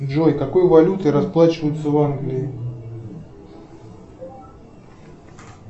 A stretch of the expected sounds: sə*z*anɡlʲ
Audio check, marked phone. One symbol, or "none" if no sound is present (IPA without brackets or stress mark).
v